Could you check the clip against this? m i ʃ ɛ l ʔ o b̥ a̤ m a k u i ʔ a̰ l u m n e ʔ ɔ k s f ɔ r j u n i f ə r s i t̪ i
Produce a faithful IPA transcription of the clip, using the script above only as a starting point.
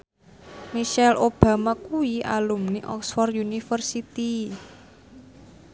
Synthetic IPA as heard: m i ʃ ɛ l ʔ o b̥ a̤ m a k u i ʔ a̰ l u m n i ʔ ɔ k s f ɔ r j u n i f ə r s i t̪ i